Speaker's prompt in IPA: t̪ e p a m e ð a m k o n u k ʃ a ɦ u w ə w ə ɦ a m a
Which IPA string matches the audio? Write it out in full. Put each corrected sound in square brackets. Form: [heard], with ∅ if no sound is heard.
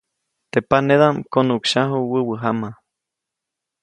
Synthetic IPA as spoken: t̪ e p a [n] e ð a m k o n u k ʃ a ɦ u w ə w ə ɦ a m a